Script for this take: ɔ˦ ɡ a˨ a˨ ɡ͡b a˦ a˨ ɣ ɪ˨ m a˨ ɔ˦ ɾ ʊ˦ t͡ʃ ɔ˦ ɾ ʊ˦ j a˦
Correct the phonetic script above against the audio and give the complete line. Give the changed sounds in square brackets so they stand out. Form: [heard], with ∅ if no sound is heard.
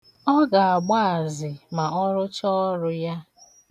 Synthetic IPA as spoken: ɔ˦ ɡ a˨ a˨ ɡ͡b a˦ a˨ [z] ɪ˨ m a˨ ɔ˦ ɾ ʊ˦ t͡ʃ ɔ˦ ɾ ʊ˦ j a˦